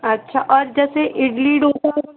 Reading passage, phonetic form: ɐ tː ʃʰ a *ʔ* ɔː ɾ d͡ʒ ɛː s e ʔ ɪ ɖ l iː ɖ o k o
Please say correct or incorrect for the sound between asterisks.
correct